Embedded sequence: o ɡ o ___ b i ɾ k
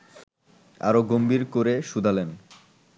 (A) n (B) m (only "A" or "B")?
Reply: B